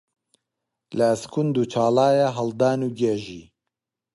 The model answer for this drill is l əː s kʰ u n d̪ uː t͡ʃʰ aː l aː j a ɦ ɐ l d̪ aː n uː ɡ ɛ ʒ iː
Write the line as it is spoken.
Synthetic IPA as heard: l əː s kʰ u n d̪ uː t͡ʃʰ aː l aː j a ɦ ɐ l d̪ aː n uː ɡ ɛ ʒ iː